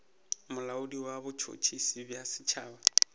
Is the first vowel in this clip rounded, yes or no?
yes